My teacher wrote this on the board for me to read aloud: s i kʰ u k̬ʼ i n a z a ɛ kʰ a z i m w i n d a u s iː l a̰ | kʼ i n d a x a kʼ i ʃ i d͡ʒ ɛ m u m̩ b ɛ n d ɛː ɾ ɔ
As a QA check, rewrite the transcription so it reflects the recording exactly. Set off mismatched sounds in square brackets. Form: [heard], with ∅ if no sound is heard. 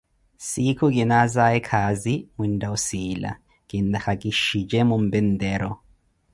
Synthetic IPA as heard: s i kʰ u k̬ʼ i n a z a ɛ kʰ a z i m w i n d a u s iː l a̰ | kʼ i n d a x a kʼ i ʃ i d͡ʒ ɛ m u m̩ b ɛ n d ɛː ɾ ɔ